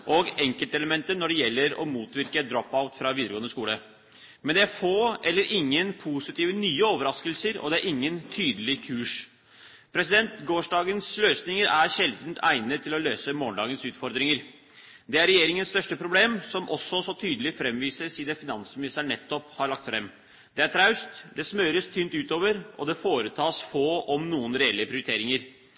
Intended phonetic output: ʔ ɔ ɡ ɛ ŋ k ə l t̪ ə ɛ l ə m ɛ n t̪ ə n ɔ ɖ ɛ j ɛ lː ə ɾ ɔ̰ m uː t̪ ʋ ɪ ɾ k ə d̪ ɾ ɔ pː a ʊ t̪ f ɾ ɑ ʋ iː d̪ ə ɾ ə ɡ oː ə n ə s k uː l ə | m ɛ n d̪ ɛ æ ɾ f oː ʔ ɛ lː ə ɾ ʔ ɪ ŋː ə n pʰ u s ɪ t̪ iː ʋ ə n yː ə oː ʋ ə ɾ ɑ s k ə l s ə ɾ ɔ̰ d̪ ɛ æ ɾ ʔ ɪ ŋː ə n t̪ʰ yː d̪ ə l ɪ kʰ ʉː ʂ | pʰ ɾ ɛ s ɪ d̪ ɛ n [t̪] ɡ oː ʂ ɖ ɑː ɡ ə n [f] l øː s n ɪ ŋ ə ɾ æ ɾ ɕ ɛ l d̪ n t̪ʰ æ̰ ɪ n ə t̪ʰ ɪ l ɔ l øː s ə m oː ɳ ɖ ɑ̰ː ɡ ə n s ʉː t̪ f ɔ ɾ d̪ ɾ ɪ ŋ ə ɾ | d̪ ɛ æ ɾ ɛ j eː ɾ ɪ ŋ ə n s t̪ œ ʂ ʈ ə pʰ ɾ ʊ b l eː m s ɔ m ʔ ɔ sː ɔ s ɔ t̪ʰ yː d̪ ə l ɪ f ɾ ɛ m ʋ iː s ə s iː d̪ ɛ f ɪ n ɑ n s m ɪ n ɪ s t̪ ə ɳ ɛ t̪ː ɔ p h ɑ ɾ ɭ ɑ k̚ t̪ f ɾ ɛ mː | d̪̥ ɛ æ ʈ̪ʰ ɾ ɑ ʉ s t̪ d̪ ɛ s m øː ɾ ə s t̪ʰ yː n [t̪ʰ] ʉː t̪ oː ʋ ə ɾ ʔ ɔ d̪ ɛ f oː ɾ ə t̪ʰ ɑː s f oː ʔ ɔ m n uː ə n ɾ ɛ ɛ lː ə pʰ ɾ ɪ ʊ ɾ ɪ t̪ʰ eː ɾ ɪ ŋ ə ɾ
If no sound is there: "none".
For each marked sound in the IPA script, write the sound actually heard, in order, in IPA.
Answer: t̪, s, t̪

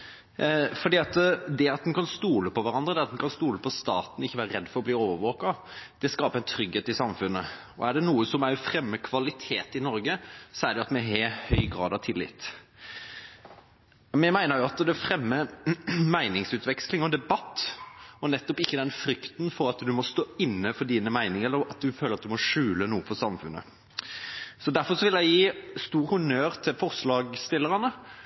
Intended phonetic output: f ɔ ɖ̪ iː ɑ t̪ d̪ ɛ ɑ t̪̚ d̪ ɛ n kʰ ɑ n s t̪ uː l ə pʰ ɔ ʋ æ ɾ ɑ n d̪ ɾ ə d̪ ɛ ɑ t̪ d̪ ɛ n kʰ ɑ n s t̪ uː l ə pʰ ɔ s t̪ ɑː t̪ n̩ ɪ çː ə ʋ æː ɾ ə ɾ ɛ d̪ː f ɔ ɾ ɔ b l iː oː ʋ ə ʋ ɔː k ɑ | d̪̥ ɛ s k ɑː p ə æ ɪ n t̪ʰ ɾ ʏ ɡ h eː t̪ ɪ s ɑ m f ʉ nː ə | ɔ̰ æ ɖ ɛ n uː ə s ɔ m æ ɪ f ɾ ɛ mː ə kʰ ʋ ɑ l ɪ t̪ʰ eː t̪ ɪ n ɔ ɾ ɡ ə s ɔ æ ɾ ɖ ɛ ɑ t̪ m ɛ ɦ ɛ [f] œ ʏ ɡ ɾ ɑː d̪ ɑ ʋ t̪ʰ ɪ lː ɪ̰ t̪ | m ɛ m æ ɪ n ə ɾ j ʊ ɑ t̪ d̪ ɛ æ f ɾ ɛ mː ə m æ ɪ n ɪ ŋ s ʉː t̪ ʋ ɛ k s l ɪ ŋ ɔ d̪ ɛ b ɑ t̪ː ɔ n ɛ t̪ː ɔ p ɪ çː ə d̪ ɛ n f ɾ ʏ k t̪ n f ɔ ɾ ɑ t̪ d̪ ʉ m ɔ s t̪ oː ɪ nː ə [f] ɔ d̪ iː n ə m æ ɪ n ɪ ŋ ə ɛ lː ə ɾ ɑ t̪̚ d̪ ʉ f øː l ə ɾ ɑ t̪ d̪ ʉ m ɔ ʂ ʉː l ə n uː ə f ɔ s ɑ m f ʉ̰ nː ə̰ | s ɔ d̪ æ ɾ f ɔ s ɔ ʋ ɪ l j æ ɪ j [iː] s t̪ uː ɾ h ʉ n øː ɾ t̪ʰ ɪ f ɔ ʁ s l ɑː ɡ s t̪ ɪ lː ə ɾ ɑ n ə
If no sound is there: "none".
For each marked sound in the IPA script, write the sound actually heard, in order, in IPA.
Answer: h, f, iː

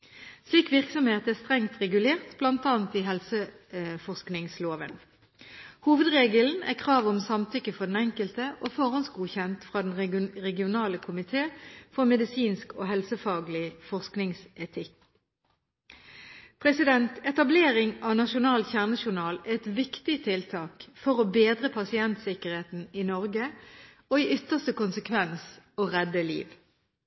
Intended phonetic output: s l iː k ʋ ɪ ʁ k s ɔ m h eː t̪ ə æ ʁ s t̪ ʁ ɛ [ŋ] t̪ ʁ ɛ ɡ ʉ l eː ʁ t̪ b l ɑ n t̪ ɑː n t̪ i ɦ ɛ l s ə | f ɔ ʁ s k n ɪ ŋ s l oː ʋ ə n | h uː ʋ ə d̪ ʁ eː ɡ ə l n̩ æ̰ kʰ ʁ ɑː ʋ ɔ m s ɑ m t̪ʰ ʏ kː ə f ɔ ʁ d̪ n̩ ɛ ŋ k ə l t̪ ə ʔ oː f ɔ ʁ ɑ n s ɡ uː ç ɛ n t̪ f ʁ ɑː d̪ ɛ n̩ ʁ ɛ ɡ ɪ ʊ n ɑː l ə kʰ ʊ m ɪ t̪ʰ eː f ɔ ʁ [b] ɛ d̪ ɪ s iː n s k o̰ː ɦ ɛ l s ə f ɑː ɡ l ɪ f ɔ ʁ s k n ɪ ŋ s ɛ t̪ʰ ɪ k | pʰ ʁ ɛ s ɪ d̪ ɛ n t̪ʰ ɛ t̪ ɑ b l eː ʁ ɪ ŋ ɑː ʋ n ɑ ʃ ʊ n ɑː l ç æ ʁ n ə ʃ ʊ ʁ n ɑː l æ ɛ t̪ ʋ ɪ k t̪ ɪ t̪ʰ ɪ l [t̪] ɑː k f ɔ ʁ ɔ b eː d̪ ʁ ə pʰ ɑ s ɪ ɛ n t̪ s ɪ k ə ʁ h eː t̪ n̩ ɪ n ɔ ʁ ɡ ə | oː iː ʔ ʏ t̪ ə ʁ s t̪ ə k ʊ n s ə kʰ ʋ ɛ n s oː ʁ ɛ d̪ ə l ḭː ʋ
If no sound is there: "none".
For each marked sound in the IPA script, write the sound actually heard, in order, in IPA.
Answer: ŋ, m, t̪ʰ

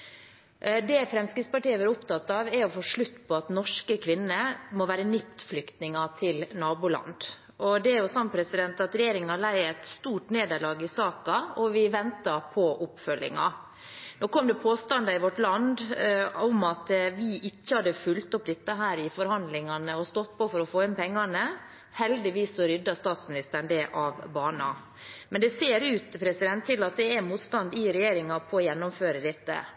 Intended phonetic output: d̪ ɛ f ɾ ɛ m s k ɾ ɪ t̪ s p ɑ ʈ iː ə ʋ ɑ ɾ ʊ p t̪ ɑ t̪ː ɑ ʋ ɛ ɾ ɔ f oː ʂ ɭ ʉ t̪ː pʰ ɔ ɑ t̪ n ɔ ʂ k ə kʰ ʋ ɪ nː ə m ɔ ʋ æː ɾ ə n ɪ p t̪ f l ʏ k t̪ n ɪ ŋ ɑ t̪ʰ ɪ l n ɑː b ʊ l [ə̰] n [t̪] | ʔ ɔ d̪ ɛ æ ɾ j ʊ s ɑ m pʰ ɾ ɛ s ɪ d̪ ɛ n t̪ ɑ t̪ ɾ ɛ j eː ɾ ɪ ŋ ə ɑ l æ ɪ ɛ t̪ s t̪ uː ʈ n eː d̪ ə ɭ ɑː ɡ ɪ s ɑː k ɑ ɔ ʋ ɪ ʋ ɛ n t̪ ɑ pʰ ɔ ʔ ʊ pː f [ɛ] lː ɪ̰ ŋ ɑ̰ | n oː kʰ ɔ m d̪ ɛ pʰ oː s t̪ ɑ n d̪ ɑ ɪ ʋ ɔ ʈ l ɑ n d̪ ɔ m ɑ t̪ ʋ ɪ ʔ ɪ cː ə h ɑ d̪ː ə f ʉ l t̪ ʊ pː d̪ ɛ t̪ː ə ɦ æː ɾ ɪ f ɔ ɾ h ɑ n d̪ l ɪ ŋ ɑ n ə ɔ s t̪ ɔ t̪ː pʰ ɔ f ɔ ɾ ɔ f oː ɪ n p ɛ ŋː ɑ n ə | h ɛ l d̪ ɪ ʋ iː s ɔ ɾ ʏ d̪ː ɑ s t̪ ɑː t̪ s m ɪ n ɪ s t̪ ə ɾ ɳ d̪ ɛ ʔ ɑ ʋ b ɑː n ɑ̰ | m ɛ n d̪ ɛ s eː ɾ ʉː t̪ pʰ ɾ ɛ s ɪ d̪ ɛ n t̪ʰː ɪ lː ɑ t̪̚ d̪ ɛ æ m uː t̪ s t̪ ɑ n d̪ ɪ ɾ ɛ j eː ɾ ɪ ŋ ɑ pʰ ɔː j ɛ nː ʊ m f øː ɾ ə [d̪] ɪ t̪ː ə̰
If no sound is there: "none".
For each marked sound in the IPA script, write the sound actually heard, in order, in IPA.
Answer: ɑ̰, d̪, œ, d̪

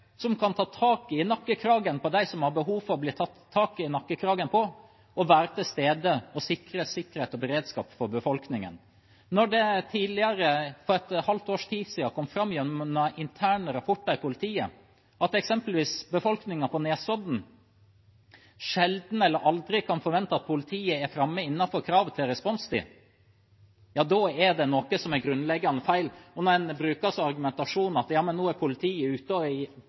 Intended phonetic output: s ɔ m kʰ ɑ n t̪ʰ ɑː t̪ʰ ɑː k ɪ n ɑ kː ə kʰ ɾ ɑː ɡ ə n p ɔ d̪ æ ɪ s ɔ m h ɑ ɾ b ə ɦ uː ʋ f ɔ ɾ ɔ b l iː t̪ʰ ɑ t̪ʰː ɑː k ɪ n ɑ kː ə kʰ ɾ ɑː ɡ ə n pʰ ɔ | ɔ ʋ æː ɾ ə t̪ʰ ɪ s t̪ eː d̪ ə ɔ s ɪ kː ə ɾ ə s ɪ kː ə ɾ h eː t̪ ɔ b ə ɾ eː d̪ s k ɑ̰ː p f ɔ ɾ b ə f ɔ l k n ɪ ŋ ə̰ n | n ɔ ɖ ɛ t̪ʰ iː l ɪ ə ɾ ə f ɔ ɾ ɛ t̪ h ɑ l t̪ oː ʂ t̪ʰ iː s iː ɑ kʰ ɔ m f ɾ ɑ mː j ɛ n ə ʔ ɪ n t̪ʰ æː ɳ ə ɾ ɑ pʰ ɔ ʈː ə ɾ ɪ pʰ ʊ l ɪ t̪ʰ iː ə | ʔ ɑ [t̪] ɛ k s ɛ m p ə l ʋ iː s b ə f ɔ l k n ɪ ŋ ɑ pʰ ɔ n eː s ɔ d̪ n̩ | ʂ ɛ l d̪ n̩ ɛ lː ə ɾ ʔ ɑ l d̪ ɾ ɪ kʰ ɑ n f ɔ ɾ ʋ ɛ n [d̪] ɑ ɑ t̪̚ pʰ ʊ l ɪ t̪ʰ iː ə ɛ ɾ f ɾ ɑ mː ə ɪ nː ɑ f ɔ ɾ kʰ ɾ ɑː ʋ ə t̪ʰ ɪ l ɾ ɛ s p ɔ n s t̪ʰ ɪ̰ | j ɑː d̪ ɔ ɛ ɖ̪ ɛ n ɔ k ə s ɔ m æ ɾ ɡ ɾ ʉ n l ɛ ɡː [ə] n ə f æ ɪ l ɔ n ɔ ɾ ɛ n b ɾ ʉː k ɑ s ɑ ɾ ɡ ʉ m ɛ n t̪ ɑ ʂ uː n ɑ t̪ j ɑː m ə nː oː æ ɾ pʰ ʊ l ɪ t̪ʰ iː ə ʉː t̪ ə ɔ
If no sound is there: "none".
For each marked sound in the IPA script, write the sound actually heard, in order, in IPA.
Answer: t̪, t̪, ɑ

